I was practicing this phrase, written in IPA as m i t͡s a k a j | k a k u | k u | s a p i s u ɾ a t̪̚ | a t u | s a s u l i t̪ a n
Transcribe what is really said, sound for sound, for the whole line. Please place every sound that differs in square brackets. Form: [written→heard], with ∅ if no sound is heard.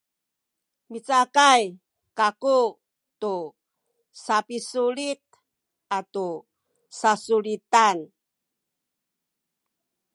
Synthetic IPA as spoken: m i t͡s a k a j | k a k u | [k→t] u | s a p i s u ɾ [a→i] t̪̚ | a t u | s a s u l i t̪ a n